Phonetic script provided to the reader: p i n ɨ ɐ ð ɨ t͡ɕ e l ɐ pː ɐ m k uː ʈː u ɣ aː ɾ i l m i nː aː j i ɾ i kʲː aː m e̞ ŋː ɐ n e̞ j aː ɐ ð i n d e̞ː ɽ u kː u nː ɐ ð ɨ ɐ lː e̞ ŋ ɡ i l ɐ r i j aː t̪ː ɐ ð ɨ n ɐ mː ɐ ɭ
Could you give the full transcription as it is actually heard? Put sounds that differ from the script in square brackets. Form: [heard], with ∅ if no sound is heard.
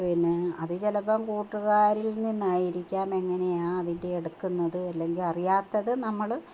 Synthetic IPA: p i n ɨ ɐ ð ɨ t͡ɕ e l ɐ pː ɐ m k uː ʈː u ɣ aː ɾ i l [n] i nː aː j i ɾ i kʲː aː m e̞ ŋː ɐ n e̞ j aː ɐ ð i n d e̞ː ɽ u kː u nː ɐ ð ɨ ɐ lː e̞ ŋ ɡ i l ɐ r i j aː t̪ː ɐ ð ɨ n ɐ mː ɐ ɭ